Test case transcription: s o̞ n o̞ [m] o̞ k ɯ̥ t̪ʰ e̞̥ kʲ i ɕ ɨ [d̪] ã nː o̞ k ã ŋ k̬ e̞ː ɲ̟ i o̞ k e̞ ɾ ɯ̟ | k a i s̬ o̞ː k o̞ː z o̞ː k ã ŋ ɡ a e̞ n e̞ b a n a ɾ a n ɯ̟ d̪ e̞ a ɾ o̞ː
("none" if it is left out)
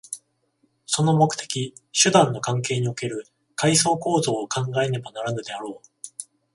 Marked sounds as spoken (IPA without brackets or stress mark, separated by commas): m, d̪